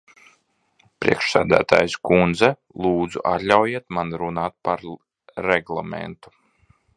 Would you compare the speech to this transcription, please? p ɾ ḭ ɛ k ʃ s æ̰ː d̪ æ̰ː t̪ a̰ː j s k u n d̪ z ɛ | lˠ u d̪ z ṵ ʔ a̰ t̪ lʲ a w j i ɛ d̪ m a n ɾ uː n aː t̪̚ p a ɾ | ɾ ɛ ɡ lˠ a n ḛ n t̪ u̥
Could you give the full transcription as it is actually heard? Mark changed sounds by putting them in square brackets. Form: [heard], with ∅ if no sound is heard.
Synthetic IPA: p ɾ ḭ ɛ k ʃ s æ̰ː d̪ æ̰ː t̪ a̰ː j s k u n d̪ z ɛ | lˠ [uː] d̪ z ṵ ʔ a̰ t̪ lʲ a w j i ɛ [t̪] m a n ɾ [u] n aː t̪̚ p a ɾ | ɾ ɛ ɡ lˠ a [m] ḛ n t̪ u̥